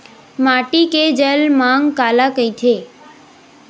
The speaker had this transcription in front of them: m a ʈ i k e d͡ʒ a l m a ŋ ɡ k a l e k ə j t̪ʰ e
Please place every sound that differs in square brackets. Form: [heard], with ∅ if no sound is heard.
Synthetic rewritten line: m a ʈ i k e d͡ʒ [ə] l m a ŋ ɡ k a l [a] k ə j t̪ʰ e